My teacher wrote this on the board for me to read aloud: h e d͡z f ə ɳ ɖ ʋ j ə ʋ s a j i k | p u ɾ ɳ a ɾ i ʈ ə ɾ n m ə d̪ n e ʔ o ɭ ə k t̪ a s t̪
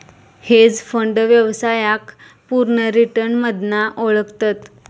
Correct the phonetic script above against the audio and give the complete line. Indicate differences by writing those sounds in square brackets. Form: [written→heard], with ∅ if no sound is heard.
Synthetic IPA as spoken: h e d͡z f ə ɳ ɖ ʋ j ə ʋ s a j [i→a] k | p u ɾ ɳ [a→ə] ɾ i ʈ ə ɾ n m ə d̪ n [e→a] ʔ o ɭ ə k t̪ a [s→∅] t̪